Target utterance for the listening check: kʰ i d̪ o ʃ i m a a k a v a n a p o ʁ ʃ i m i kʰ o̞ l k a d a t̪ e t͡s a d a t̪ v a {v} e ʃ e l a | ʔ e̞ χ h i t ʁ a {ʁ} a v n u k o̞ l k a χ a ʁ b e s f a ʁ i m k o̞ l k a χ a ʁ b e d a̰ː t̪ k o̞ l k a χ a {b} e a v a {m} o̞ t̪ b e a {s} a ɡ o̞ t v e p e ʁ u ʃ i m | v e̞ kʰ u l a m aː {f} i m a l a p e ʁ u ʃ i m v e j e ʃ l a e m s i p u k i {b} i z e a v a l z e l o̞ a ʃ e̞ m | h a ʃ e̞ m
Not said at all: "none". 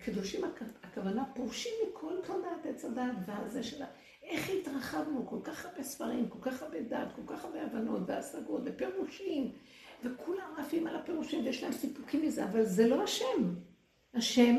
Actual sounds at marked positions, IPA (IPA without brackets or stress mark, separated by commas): z, χ, b, n, s, f, m